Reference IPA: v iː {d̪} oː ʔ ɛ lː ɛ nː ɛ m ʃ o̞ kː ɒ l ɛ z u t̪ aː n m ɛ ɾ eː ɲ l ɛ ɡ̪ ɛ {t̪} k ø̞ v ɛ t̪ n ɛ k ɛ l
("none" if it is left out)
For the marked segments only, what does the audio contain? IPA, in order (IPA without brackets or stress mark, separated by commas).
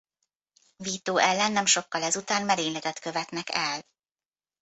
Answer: t̪, t̪